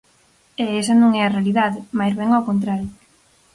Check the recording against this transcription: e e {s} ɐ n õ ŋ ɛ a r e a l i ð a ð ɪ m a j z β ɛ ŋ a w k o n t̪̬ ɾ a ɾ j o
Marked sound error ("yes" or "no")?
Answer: no